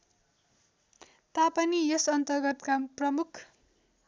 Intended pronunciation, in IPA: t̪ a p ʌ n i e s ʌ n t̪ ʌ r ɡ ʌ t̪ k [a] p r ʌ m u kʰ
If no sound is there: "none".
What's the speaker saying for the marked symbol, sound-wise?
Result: a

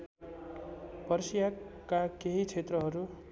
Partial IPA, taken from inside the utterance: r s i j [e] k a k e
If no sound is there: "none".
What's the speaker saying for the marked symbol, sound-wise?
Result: a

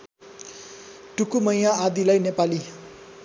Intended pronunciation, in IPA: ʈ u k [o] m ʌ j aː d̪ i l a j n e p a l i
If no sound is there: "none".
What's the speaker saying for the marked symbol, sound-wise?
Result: u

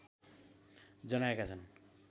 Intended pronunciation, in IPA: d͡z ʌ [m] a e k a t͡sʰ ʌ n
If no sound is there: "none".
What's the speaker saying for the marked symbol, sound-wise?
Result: n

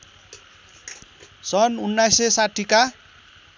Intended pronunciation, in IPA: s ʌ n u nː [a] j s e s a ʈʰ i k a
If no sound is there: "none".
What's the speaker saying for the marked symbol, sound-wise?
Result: a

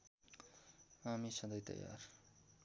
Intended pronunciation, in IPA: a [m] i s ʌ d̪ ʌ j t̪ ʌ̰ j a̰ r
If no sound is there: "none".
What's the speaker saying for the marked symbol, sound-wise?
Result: m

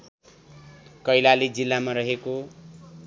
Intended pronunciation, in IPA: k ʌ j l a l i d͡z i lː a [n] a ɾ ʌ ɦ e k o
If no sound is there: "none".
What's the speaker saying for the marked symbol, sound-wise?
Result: m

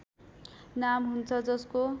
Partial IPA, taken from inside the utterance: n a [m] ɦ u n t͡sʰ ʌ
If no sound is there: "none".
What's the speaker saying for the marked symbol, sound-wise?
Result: m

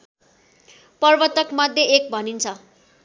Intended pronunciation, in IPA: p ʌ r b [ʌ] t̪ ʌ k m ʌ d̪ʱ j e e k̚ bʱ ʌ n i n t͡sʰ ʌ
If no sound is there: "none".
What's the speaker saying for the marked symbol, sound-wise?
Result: ʌ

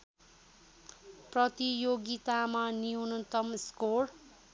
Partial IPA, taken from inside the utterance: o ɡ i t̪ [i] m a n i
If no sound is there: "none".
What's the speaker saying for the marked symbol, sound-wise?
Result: a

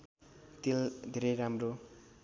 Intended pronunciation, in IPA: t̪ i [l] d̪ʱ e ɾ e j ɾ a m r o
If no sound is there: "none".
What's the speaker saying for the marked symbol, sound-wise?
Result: l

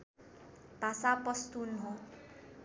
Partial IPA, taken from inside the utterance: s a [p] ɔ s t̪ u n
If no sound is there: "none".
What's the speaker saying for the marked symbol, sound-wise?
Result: p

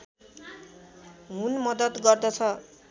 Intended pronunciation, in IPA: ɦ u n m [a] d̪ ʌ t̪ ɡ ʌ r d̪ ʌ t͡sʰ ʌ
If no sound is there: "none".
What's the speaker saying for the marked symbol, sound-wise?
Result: ʌ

